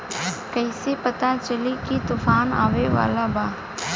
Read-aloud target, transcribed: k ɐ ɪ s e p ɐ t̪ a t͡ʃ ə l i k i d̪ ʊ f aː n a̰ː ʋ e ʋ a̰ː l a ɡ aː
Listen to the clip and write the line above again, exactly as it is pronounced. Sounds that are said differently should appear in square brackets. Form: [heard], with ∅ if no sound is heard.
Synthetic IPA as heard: k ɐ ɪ s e p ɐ t̪ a t͡ʃ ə l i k i [t̪] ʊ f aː n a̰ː ʋ e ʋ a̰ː l a [b] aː